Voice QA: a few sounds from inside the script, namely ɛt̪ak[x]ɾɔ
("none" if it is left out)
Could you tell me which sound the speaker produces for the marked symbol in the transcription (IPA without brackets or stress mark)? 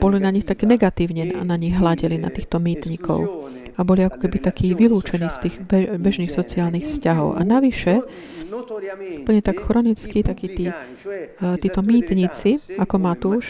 x